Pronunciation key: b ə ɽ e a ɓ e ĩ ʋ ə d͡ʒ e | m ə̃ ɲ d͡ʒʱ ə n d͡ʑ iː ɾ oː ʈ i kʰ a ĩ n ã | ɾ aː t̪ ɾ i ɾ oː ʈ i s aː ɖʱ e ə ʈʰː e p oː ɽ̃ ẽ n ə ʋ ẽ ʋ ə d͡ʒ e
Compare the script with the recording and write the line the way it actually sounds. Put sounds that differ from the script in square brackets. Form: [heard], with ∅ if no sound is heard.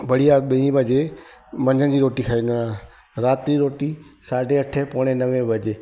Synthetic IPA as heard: b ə ɽ [i] a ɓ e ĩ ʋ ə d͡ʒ e | m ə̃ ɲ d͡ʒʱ ə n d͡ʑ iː ɾ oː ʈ i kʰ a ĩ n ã | ɾ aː t̪ ɾ i ɾ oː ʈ i s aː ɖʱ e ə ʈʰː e p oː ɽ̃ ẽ n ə ʋ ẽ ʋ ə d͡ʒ e

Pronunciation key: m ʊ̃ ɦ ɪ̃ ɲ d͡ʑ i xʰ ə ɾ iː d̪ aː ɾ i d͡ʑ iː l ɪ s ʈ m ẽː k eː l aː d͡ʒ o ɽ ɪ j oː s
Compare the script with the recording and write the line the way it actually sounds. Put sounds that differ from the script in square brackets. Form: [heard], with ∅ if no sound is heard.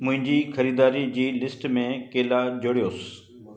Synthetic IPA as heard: m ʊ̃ ɦ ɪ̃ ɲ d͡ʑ [iː] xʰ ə ɾ iː d̪ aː ɾ i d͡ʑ iː l ɪ s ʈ m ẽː k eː l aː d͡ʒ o ɽ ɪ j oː s

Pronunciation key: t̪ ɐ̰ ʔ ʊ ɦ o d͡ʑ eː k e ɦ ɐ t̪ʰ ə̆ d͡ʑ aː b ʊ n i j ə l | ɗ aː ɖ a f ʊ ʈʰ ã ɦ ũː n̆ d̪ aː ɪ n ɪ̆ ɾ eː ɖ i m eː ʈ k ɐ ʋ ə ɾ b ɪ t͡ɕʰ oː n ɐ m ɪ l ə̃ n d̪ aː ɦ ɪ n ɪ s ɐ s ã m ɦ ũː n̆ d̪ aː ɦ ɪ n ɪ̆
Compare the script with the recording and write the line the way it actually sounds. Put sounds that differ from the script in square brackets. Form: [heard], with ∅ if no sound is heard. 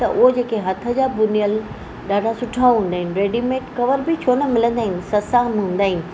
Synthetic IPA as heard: t̪ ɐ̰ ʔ ʊ ɦ o d͡ʑ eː k e ɦ ɐ t̪ʰ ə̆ d͡ʑ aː b ʊ n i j ə l | ɗ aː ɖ a [s] ʊ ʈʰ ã ɦ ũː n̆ d̪ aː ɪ n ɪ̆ ɾ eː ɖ i m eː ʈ k ɐ ʋ ə ɾ b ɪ t͡ɕʰ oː n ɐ m ɪ l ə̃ n d̪ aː ɦ ɪ n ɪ s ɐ s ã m ɦ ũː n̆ d̪ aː ɦ ɪ n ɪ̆

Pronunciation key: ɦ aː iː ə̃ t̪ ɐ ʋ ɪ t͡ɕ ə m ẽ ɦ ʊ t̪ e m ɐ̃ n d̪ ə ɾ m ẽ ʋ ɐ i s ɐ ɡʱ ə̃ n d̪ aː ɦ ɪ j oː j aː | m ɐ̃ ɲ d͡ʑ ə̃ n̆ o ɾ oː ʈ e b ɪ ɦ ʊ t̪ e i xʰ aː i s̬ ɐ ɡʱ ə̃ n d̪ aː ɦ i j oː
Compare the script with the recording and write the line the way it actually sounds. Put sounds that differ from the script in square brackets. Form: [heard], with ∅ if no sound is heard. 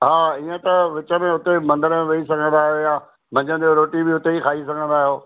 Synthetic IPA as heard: ɦ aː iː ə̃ t̪ ɐ ʋ ɪ t͡ɕ ə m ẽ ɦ ʊ t̪ e m ɐ̃ n d̪ ə ɾ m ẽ ʋ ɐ i s ɐ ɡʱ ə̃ n d̪ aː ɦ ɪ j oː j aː | m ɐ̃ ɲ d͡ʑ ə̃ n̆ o ɾ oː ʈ [i] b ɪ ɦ ʊ t̪ e i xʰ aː i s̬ ɐ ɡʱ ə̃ n d̪ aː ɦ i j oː

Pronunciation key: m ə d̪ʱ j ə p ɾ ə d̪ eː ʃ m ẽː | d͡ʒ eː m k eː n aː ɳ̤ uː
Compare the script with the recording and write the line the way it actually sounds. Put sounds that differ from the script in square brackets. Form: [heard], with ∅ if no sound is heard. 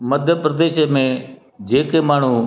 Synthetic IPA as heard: m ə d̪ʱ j ə p ɾ ə d̪ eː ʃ m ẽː | d͡ʒ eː [∅] k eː [m] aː ɳ̤ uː

